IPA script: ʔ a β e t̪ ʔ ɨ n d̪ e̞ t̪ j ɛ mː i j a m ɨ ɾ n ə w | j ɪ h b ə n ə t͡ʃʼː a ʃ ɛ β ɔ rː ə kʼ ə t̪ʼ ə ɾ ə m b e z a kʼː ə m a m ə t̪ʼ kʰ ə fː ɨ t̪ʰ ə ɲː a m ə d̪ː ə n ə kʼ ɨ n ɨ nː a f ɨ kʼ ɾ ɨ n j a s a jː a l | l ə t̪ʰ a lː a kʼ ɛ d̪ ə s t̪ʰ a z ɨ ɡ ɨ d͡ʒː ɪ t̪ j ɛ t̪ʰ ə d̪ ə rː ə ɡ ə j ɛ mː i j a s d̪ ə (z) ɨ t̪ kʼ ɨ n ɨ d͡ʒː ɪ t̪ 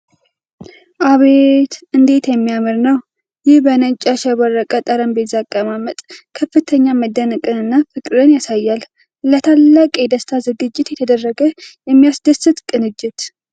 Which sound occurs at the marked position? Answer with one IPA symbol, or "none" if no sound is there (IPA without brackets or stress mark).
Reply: s